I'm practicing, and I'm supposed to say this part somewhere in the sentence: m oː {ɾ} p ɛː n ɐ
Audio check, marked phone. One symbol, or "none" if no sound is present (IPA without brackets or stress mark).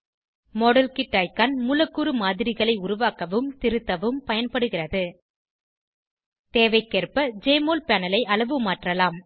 l